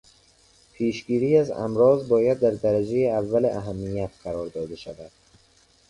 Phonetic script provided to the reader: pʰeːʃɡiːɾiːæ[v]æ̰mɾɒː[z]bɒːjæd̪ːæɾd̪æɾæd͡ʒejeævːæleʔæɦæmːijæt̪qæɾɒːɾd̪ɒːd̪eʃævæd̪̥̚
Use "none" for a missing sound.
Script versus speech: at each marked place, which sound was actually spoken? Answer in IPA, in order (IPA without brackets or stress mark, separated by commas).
z, z